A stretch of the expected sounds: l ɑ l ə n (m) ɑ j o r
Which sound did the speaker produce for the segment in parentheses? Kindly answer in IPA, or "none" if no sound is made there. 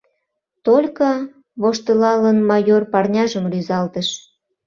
m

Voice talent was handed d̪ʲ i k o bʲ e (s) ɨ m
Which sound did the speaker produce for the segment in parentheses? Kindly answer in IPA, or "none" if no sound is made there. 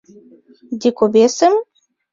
s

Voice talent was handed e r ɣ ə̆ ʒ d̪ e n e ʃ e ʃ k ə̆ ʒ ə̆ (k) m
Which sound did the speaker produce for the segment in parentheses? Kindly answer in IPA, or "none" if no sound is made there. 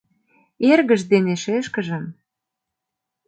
none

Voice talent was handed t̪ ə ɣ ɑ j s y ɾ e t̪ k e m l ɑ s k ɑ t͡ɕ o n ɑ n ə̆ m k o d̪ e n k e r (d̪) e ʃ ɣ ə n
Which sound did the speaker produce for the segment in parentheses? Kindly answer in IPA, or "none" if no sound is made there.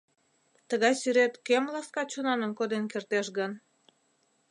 t̪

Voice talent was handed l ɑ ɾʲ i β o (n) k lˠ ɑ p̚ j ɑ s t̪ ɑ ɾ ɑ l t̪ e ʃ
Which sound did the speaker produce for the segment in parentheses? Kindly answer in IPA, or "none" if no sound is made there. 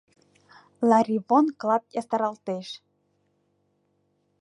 n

